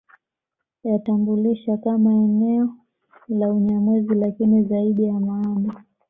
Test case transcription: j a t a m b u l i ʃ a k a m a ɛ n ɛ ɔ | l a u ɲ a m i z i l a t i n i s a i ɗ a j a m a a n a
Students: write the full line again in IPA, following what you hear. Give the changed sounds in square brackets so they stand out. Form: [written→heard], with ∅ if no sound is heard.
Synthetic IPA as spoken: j a t a m b u l i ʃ a k a m a ɛ n ɛ ɔ | l a u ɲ a m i z i l a [t→k] i n i [s→z] a i ɗ [a→i] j a m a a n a